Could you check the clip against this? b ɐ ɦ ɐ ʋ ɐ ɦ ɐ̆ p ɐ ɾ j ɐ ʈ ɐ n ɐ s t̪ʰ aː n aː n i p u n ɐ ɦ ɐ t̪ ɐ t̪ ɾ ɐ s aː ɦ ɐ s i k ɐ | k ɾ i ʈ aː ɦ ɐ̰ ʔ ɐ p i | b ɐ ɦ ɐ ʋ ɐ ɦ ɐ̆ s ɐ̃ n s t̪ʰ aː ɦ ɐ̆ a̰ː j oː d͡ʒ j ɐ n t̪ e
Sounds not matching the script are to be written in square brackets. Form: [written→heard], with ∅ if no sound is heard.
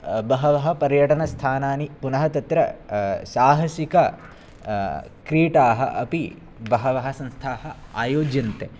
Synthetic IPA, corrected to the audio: b ɐ ɦ ɐ ʋ ɐ ɦ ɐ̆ p ɐ ɾ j ɐ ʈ ɐ n ɐ s t̪ʰ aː n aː n i p u n ɐ ɦ ɐ t̪ ɐ t̪ ɾ ɐ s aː ɦ ɐ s i k ɐ | k ɾ [i→iː] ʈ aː ɦ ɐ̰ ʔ ɐ p i | b ɐ ɦ ɐ ʋ ɐ ɦ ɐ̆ s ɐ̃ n s t̪ʰ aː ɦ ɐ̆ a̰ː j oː d͡ʒ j ɐ n t̪ e